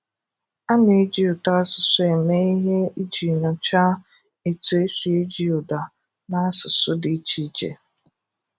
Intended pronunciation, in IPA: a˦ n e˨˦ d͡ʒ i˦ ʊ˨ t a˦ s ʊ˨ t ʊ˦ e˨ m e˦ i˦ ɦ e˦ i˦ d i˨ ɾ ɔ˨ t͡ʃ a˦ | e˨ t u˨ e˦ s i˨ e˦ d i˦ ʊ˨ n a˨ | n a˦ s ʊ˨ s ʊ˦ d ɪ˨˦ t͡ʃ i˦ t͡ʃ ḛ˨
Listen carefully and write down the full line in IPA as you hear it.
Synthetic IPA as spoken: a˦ n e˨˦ d͡ʒ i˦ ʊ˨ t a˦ s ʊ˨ s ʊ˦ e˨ m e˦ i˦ ɦ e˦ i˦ d͡ʒ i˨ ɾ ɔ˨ t͡ʃ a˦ | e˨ t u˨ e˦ s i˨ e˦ d͡ʒ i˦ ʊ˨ d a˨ | n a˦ s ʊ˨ s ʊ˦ d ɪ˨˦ t͡ʃ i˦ t͡ʃ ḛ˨